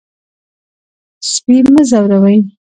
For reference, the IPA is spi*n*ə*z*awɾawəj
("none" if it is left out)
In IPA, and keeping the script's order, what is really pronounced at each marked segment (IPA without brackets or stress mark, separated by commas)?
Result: m, z